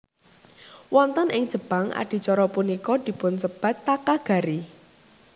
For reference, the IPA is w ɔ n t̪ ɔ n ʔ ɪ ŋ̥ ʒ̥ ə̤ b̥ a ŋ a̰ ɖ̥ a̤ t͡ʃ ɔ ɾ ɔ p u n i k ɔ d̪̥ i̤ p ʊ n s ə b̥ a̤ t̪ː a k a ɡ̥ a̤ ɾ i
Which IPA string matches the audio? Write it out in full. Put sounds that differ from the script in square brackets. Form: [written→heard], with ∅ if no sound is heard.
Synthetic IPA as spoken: w ɔ n t̪ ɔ n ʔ ɪ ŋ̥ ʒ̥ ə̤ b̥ a ŋ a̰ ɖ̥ [a̤→i̤] t͡ʃ ɔ ɾ ɔ p u n i k ɔ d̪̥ i̤ p ʊ n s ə b̥ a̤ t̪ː a k a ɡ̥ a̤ ɾ i